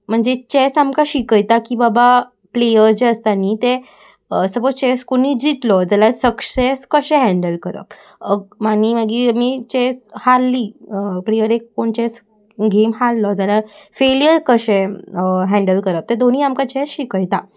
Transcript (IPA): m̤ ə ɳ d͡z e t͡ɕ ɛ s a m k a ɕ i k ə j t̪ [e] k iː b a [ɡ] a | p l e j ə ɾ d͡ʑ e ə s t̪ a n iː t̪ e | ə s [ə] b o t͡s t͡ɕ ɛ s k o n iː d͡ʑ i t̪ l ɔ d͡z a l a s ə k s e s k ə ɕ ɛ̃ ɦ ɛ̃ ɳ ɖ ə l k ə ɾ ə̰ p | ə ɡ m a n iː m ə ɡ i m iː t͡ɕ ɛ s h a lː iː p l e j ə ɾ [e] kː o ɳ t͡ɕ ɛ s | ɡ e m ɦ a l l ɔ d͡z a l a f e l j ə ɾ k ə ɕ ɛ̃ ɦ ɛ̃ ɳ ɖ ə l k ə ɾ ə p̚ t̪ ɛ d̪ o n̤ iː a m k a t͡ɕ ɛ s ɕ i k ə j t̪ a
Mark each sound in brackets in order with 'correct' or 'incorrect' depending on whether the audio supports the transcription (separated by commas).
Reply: incorrect, incorrect, correct, correct